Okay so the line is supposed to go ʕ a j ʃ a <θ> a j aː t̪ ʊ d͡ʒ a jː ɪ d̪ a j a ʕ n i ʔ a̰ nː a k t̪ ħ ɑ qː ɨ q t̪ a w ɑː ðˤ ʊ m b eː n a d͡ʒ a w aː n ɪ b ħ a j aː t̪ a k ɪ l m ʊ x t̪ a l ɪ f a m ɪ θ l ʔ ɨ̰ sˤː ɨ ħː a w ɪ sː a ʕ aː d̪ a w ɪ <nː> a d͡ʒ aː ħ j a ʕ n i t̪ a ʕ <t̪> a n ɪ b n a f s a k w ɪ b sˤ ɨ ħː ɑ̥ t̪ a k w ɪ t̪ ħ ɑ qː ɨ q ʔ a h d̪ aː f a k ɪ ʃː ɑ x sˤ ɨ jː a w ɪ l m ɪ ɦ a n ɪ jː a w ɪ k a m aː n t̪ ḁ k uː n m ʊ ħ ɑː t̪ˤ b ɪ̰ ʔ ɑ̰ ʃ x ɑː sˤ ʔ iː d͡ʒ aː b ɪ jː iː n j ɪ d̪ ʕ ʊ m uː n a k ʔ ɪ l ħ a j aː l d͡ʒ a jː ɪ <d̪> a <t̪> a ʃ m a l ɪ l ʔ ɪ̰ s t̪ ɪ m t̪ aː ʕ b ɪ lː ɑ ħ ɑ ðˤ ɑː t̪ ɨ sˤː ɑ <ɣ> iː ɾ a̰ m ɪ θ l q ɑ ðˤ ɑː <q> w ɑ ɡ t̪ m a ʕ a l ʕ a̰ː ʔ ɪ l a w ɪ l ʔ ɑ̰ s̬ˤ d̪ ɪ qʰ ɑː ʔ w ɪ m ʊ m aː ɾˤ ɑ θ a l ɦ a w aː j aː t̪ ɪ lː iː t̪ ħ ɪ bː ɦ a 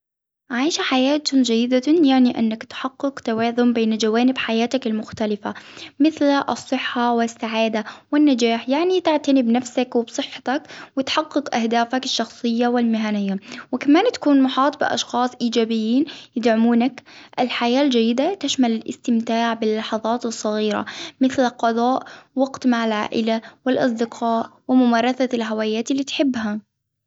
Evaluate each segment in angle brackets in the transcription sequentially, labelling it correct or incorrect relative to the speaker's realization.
incorrect: ħ, correct, correct, correct, correct, correct, incorrect: ʔ

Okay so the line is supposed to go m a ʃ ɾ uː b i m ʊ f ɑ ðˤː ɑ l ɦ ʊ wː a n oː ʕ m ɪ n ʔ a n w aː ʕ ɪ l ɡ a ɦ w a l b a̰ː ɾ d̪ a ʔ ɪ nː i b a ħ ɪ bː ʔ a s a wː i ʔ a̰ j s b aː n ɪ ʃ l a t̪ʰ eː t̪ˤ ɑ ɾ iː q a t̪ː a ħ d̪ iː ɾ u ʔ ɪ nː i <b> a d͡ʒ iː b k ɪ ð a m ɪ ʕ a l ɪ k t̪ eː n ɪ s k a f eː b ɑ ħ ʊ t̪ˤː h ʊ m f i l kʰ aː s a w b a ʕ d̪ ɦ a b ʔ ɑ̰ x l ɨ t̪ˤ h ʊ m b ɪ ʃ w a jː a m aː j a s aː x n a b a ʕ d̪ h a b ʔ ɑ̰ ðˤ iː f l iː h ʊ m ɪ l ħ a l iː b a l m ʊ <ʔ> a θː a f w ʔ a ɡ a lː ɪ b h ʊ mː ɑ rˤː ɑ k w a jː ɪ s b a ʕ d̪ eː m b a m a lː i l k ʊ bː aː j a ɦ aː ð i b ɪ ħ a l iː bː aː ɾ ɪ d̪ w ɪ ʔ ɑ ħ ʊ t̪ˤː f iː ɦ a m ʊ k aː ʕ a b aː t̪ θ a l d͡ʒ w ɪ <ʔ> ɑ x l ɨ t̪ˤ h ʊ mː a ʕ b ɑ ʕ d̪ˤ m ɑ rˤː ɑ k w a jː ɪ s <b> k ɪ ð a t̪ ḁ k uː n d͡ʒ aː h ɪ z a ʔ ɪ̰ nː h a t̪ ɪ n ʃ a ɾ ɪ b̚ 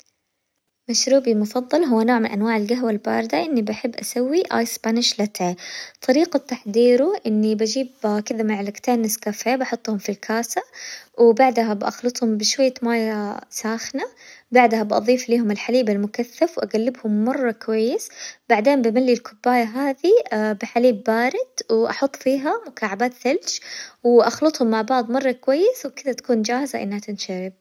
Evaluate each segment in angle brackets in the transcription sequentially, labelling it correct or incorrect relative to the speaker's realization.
correct, incorrect: k, correct, incorrect: w

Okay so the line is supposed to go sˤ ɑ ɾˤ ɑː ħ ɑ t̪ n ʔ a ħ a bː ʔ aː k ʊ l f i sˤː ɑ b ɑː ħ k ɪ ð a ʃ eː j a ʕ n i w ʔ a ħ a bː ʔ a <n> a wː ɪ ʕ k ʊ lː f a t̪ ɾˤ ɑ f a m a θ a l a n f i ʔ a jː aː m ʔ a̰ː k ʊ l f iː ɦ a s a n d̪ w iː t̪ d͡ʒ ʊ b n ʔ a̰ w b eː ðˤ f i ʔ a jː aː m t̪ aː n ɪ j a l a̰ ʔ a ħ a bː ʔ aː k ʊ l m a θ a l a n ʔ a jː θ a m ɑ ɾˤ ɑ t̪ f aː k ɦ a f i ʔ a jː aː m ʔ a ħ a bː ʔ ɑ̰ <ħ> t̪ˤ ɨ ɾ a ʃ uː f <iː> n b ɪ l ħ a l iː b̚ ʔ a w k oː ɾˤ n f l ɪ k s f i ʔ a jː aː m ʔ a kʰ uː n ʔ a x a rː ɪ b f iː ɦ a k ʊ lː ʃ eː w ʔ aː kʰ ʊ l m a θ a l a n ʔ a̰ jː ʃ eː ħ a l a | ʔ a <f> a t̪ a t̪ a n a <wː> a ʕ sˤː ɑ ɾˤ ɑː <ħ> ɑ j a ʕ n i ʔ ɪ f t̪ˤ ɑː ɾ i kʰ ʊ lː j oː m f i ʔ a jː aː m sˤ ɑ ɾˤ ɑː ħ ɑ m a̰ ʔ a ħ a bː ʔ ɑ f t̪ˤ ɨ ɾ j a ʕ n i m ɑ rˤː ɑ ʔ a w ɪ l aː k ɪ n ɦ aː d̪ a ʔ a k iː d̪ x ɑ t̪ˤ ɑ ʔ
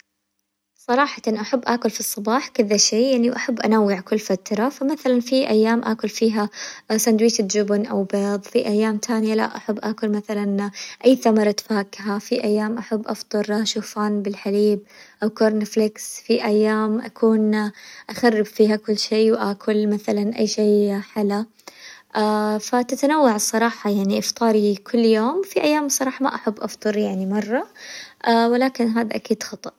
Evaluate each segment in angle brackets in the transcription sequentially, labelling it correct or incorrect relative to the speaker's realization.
correct, incorrect: f, incorrect: aː, correct, correct, correct

